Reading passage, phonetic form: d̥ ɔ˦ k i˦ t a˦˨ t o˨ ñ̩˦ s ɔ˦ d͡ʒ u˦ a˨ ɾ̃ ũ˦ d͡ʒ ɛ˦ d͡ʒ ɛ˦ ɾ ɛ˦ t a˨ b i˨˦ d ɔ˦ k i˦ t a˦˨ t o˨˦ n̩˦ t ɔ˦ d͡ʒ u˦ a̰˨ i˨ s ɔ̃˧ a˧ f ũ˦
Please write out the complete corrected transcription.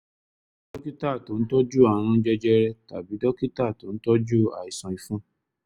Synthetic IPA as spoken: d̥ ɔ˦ k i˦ t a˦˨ t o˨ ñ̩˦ t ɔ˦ d͡ʒ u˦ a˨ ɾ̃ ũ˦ d͡ʒ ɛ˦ d͡ʒ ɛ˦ ɾ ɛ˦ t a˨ b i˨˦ d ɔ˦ k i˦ t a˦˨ t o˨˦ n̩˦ t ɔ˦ d͡ʒ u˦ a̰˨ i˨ s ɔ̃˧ i˧ f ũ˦